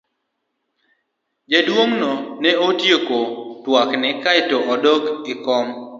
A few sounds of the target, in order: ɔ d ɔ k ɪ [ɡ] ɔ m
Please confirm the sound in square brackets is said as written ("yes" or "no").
no